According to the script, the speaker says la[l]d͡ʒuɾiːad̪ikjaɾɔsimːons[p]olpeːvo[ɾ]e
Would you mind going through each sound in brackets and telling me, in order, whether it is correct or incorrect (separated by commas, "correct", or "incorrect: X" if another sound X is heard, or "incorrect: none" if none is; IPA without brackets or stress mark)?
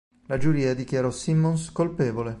incorrect: none, incorrect: k, incorrect: l